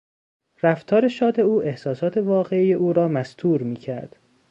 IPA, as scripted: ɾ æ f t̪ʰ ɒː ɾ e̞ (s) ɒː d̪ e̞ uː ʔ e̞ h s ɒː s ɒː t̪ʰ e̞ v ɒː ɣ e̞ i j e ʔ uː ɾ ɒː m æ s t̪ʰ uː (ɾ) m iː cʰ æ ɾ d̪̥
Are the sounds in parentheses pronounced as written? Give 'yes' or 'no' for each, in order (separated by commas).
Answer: no, yes